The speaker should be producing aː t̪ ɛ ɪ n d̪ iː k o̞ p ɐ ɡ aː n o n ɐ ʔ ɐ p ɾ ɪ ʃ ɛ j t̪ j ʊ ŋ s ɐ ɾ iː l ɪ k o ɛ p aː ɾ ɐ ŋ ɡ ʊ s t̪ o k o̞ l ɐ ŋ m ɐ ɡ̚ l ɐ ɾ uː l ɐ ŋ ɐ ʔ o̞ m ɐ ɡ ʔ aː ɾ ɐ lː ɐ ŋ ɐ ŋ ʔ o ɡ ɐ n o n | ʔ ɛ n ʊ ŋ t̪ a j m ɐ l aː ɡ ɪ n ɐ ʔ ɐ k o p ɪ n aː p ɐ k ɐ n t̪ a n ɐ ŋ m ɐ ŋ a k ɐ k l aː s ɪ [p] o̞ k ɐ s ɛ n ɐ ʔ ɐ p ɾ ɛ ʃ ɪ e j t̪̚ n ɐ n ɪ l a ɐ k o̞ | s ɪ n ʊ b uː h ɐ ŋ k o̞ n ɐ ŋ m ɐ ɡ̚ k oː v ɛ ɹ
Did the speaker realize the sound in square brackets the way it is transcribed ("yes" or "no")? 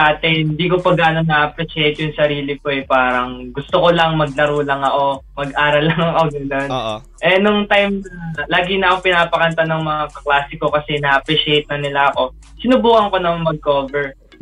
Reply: no